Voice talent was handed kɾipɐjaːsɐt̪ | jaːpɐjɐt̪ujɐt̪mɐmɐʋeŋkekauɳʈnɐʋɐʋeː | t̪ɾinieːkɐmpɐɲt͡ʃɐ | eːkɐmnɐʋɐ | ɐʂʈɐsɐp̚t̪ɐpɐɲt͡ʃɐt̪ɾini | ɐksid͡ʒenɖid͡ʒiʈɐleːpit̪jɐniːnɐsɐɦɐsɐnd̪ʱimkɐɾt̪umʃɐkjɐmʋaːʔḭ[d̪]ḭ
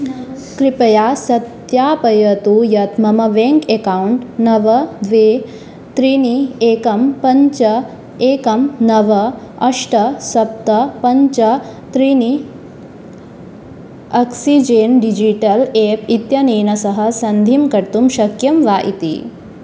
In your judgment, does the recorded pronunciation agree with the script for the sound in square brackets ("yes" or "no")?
no